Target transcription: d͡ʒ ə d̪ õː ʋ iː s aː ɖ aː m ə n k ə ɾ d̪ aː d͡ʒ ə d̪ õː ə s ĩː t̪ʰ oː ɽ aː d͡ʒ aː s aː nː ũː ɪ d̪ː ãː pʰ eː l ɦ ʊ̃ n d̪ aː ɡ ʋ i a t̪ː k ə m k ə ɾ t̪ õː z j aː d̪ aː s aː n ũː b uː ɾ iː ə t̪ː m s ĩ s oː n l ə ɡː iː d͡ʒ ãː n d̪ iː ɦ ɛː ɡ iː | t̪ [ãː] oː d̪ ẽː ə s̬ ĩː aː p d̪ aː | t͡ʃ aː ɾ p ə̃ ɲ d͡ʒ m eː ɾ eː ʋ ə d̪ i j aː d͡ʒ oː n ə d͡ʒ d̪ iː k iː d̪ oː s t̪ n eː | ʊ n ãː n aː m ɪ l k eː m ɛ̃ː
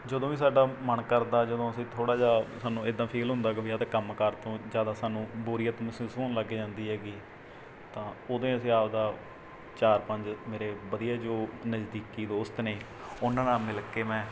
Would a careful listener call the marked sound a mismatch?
no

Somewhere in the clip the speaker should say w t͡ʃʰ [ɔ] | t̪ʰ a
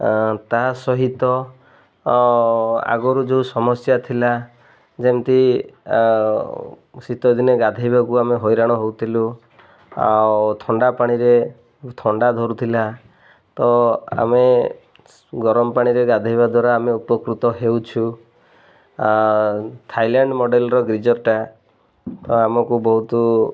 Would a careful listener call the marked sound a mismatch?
yes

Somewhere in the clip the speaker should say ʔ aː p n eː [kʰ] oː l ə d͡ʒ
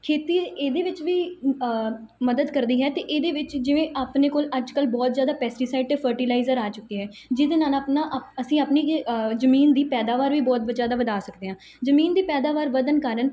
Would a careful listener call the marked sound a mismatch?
yes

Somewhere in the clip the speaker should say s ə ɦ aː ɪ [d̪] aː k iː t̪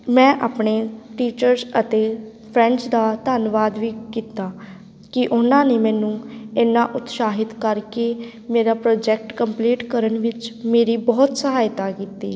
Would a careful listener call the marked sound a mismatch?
yes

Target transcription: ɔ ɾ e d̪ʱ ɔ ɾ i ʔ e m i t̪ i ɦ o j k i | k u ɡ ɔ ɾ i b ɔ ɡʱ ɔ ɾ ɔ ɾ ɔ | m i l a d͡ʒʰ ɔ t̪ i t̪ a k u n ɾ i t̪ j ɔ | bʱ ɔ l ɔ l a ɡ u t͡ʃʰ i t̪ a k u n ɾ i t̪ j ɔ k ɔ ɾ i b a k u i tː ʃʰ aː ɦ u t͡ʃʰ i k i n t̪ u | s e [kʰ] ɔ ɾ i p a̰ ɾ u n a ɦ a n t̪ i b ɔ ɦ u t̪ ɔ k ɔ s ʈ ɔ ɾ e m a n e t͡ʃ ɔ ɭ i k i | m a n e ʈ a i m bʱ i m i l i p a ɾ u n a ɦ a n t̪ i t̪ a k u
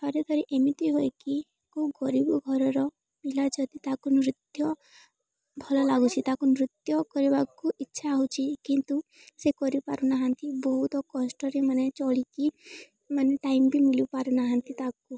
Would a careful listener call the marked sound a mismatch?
yes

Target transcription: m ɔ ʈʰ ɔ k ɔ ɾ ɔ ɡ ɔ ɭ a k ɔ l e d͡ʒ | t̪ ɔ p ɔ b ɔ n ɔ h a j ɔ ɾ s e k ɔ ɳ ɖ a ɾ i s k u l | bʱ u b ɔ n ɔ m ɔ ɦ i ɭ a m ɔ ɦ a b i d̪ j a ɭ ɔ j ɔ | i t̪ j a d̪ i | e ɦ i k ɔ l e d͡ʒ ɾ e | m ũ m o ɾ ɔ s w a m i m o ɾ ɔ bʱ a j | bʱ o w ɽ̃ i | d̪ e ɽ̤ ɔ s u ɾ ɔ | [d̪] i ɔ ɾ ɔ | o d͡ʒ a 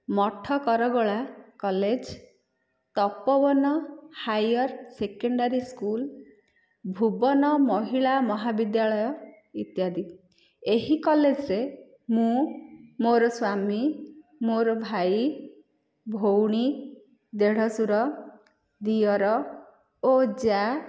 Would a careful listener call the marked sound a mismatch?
no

